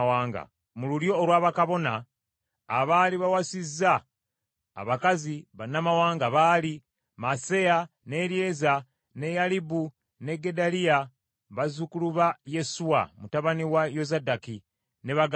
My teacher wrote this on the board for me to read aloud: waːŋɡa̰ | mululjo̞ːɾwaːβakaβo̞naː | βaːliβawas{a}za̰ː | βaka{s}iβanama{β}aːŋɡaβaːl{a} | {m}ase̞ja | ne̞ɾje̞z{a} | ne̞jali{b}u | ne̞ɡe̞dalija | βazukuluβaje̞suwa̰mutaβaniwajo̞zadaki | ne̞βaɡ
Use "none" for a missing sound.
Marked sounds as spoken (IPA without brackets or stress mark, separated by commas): i, z, w, i, m, a, b